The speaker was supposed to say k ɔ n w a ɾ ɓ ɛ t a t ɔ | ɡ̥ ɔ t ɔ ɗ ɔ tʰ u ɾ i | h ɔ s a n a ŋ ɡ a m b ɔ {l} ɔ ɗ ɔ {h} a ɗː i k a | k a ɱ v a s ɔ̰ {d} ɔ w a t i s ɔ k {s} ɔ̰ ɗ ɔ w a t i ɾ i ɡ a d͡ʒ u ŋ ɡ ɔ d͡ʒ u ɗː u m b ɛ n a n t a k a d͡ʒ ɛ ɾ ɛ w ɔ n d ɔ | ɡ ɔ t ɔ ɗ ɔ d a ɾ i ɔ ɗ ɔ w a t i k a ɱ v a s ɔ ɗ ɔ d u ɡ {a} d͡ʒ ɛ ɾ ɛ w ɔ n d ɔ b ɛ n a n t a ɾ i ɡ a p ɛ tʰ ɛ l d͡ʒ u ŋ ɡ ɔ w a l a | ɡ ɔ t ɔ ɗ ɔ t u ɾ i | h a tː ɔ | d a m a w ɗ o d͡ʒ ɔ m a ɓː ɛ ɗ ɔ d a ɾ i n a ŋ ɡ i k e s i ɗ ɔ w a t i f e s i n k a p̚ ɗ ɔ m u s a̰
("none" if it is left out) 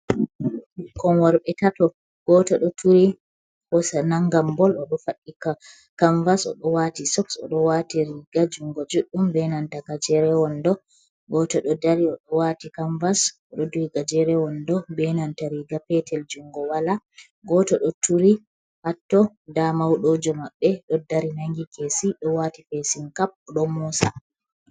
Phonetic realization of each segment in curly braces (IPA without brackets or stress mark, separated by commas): l, f, ɗ, s, a